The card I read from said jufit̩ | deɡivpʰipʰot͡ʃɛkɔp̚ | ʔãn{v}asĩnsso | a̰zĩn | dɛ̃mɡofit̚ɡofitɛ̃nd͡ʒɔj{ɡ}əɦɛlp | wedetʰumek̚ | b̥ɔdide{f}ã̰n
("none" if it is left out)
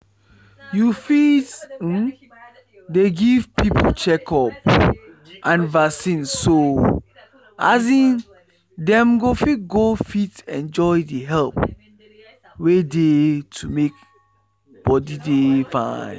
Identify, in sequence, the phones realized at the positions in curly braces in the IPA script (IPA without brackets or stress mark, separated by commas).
v, d, f